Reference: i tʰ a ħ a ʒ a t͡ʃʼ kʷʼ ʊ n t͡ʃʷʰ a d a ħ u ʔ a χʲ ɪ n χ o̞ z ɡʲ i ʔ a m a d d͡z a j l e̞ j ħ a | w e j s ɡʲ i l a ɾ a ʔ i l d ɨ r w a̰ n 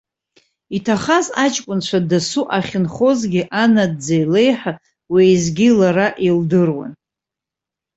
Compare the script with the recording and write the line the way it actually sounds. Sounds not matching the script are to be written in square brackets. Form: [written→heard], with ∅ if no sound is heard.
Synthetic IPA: i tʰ a [ħ→χ] a [ʒ→z] a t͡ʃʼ kʷʼ ʊ n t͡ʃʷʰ a d a [ħ→s] u ʔ a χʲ ɪ n χ o̞ z ɡʲ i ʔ a [m→n] a d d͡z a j l e̞ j ħ a | w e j [s→z] ɡʲ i l a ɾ a ʔ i l d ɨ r w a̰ n